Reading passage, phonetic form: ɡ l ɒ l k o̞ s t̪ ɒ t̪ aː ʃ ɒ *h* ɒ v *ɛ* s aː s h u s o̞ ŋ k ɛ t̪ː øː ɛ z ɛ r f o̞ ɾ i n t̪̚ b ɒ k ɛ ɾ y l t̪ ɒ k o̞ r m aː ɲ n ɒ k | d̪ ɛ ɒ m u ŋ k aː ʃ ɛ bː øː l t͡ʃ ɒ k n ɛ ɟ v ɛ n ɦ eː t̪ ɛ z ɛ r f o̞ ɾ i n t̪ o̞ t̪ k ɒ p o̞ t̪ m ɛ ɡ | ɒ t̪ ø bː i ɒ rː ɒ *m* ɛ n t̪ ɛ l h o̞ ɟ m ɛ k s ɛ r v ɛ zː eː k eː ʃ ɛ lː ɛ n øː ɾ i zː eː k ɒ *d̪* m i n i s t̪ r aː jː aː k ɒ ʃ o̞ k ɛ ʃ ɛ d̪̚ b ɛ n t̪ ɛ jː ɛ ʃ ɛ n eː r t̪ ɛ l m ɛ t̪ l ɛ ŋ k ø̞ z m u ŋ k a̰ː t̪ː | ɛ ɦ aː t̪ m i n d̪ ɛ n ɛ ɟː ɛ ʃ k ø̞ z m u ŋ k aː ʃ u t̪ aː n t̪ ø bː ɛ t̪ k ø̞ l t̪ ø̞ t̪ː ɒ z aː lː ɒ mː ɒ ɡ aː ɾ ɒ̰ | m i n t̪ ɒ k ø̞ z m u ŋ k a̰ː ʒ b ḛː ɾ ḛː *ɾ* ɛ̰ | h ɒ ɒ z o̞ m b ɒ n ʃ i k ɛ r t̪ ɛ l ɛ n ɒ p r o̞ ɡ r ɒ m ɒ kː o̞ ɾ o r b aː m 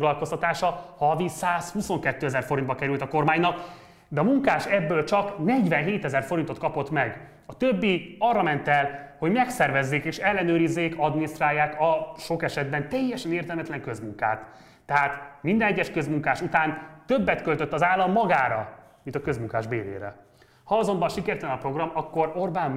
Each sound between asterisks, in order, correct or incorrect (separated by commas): correct, incorrect, correct, correct, correct